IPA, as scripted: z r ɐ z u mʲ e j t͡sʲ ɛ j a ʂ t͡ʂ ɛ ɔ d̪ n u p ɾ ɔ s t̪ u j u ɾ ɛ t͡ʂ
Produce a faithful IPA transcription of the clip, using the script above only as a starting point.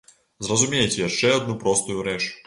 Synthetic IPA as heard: z r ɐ z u mʲ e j t͡sʲ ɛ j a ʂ t͡ʂ ɛ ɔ d̪ n u p ɾ ɔ s t̪ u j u ɾ ɛ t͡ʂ